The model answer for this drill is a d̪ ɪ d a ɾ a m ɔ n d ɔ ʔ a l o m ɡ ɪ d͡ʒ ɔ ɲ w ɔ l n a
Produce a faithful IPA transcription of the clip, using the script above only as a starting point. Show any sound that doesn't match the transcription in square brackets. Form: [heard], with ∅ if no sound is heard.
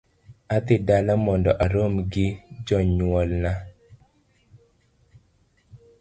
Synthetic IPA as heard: a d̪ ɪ d a [l] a m ɔ n d ɔ ʔ a [ɾ] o m ɡ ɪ d͡ʒ ɔ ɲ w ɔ l n a